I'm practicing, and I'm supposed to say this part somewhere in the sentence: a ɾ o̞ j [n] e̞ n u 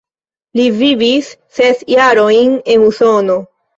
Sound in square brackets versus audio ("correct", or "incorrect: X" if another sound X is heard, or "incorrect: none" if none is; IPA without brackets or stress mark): correct